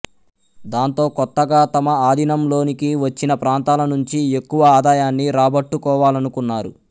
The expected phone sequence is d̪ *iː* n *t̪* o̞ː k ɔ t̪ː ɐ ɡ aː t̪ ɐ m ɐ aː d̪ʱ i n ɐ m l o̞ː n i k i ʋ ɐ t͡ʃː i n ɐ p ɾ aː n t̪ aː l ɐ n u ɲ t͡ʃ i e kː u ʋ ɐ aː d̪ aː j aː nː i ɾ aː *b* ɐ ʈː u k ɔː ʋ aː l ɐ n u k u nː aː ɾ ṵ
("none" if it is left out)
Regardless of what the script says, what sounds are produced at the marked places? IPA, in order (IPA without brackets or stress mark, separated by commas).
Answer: aː, t̪, b